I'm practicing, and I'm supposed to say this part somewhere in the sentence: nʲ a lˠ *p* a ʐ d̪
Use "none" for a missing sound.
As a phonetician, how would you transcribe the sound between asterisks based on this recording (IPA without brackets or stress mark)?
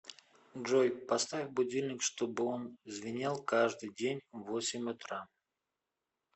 k